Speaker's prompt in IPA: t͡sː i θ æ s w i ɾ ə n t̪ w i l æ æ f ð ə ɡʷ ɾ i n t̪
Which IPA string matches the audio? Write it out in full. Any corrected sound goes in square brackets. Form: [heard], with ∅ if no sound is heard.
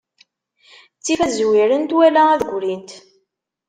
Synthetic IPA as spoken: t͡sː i [f] æ [z] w i ɾ ə n t̪ w [æ] l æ æ [∅] ð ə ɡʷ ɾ i n t̪